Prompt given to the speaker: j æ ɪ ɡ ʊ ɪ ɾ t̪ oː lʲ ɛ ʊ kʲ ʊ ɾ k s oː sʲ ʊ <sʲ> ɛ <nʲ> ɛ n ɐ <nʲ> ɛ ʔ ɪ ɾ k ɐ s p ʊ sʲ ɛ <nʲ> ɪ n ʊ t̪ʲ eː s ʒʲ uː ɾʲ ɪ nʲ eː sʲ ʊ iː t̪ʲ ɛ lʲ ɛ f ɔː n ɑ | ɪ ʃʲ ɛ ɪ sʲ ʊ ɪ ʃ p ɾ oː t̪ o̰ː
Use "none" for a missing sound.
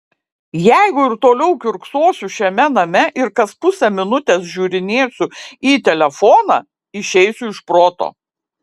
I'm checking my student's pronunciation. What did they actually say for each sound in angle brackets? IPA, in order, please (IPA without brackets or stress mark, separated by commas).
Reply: ʃʲ, mʲ, mʲ, mʲ